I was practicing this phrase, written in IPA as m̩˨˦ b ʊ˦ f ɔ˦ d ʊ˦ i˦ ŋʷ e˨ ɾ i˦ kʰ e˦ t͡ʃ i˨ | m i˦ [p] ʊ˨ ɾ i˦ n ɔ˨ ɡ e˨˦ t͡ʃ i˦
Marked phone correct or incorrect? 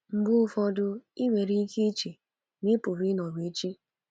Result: correct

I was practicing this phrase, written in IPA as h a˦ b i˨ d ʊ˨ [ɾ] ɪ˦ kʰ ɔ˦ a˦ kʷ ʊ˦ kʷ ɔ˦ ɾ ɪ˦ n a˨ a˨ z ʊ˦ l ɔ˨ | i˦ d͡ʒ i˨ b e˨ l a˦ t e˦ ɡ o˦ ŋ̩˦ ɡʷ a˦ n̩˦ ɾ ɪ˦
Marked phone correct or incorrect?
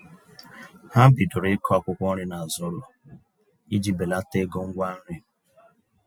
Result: correct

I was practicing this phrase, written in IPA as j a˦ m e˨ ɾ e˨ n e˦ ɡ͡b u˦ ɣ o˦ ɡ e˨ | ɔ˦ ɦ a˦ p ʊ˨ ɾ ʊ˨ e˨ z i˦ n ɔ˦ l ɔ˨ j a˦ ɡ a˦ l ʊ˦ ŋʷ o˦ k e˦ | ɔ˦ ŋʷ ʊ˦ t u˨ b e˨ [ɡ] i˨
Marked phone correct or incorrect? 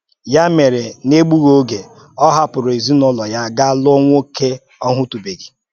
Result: correct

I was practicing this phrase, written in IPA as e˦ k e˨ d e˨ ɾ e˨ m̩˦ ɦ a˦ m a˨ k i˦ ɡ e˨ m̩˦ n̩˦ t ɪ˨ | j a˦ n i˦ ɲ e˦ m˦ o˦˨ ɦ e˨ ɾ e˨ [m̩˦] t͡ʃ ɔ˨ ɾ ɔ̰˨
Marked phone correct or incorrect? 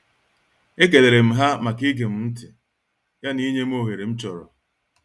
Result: correct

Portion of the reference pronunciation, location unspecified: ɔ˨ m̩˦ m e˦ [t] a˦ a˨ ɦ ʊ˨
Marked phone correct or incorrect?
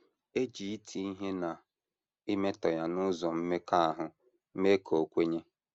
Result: incorrect: k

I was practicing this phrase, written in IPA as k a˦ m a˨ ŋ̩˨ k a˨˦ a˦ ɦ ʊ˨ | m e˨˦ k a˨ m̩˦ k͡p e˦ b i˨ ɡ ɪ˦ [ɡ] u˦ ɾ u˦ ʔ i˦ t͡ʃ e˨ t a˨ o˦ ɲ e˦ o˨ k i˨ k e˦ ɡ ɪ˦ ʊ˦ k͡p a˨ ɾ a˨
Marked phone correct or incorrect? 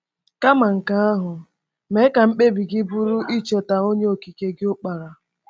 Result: incorrect: b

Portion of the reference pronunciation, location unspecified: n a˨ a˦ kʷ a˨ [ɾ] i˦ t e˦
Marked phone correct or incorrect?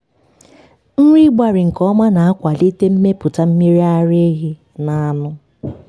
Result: incorrect: l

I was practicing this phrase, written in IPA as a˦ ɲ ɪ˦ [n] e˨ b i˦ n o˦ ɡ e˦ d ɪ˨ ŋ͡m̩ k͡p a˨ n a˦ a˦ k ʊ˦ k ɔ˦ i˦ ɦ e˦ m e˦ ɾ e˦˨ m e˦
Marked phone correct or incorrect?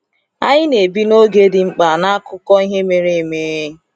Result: correct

